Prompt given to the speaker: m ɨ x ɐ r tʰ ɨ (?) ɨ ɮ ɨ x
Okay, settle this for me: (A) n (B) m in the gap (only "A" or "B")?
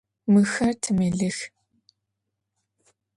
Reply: B